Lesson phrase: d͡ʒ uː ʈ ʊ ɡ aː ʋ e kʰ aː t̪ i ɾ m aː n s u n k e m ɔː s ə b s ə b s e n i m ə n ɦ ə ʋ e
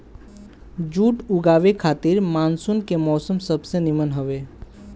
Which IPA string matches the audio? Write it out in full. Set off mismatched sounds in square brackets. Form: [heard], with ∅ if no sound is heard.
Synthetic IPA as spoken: d͡ʒ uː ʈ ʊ ɡ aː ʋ e kʰ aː t̪ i ɾ m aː n s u n k e m ɔː s ə [m] s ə b s e n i m ə n ɦ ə ʋ e